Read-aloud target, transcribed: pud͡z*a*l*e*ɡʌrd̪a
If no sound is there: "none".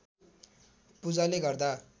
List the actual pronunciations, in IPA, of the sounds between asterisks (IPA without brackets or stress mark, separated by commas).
a, e